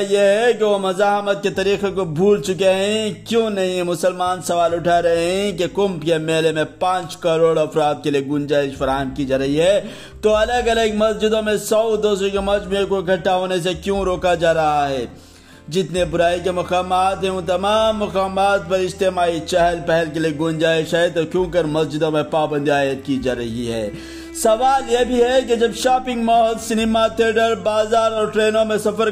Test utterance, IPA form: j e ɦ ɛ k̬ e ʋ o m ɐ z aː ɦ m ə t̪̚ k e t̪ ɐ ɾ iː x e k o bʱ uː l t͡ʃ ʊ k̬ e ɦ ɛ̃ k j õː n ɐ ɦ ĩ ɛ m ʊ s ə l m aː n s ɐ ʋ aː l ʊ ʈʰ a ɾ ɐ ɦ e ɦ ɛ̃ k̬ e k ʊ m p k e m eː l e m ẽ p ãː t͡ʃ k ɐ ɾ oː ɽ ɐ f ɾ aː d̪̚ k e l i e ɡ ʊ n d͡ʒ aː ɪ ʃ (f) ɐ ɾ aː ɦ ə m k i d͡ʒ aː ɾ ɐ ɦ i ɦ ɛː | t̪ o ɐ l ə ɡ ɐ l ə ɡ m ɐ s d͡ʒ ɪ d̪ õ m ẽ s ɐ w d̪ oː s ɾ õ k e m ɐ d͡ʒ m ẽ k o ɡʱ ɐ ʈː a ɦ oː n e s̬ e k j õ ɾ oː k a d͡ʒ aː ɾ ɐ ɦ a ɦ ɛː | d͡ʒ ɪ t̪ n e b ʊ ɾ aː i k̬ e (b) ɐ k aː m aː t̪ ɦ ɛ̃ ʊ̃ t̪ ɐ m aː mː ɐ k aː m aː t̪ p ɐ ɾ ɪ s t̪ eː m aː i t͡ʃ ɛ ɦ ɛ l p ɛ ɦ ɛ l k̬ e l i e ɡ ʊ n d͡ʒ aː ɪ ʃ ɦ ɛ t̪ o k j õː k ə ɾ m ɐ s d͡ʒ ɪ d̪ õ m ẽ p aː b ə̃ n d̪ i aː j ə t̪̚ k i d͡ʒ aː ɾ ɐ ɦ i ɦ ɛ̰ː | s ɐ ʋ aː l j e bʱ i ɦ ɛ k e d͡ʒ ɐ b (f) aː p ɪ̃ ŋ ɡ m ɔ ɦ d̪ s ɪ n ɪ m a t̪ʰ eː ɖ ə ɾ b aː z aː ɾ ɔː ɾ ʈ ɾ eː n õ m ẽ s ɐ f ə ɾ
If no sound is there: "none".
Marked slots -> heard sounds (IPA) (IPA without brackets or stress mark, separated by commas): f, m, ʃ